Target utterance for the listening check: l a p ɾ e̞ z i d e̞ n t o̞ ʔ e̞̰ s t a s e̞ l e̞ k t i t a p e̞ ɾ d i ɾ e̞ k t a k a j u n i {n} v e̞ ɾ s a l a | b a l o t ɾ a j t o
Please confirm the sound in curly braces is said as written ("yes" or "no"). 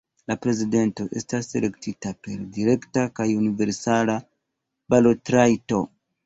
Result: no